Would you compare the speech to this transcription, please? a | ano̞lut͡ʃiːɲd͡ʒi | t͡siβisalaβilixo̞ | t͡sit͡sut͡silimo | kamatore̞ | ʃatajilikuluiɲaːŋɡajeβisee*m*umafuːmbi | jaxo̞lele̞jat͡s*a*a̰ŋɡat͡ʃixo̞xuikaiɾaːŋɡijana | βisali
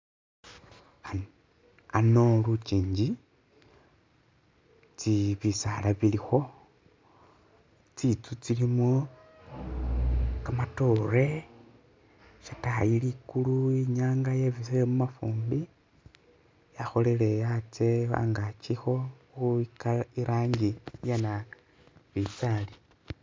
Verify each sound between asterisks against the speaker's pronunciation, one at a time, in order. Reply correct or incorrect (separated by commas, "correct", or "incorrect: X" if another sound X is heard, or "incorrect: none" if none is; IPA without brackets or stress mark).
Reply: correct, incorrect: e